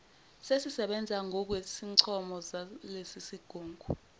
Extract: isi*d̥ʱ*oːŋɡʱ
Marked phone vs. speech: incorrect: ɡ̥ʱ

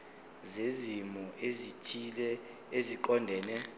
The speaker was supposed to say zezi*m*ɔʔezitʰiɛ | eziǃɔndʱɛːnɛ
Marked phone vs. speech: correct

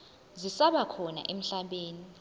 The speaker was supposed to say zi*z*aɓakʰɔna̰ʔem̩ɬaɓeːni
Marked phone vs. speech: incorrect: s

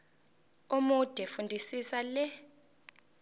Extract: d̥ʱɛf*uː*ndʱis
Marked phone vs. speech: incorrect: u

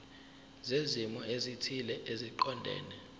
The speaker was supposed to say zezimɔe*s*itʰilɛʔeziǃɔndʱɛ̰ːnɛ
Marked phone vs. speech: incorrect: z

